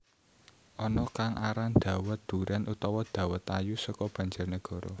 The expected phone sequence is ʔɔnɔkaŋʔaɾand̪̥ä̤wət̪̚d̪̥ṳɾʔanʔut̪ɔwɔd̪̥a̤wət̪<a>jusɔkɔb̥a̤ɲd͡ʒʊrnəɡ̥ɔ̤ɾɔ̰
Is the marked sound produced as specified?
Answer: yes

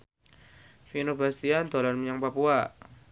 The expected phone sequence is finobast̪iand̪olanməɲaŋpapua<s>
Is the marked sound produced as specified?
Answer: no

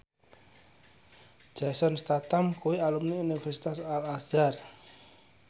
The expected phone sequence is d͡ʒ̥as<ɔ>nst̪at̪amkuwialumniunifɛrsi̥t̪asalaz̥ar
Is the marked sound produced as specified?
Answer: yes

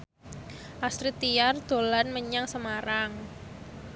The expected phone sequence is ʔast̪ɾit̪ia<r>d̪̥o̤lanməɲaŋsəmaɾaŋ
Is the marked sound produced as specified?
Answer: yes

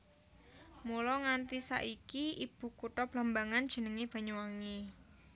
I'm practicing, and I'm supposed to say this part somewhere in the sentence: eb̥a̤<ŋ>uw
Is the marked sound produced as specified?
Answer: no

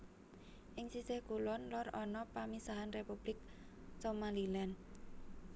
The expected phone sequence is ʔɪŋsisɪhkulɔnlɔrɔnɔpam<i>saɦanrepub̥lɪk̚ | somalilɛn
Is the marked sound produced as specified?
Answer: yes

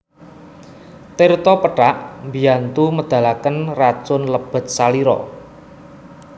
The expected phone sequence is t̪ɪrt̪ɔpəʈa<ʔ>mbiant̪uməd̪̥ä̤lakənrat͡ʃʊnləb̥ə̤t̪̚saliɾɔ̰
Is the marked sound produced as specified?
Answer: yes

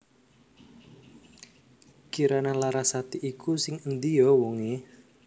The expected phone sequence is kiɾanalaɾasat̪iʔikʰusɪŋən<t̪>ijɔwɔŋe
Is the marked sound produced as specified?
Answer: no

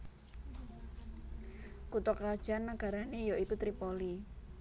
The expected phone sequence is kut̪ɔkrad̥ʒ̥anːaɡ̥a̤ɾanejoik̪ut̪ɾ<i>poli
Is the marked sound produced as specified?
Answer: yes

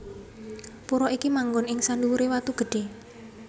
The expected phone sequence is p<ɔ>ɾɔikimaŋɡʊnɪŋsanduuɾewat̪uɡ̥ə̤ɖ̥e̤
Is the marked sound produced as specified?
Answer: no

